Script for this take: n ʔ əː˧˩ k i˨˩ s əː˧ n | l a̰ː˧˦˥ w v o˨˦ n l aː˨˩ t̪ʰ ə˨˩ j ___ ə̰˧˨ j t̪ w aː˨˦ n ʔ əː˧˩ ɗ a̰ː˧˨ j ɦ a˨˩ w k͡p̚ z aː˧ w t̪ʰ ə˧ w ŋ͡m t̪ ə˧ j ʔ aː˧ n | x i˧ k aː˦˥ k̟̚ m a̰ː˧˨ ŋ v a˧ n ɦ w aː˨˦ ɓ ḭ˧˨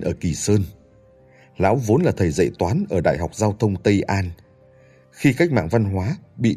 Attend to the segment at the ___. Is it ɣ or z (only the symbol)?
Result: z